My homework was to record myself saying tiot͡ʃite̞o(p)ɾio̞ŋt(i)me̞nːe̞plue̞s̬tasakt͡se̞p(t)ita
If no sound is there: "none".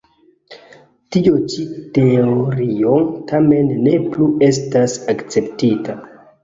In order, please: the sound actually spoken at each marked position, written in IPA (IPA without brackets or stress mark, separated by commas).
none, a, t